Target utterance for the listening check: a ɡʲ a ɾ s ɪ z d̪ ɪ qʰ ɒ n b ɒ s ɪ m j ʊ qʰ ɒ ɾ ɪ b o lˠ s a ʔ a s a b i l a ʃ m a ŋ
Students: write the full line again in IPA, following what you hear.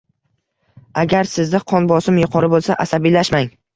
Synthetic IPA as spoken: a ɡʲ a ɾ s ɪ z d̪ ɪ qʰ ɒ n b ɒ s ɪ m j ʊ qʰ ɒ ɾ ɪ b o lˠ s a ʔ a s a b i l a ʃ m a ŋ